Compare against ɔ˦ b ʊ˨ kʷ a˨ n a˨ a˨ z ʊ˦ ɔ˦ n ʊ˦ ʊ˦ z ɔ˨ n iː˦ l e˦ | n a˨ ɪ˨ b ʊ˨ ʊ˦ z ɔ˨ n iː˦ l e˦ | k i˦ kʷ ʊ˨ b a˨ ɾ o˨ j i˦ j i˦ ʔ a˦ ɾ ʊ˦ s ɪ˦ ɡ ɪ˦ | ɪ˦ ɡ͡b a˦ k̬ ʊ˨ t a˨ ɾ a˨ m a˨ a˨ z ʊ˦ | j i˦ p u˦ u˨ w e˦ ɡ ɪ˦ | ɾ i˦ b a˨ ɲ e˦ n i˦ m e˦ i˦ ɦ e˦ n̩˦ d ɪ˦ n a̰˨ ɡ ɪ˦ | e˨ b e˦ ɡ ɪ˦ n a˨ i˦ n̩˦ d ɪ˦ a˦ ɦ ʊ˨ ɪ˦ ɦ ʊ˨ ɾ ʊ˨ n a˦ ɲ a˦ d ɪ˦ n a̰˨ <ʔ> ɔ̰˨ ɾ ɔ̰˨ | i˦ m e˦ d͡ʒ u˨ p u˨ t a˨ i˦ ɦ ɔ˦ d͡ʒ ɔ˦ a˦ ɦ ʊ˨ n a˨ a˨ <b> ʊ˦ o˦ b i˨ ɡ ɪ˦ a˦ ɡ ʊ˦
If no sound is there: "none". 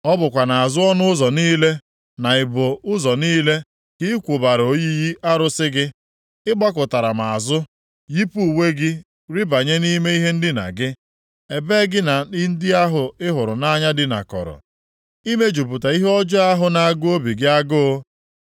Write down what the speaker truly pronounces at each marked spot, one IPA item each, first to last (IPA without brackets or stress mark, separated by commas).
k, ɡ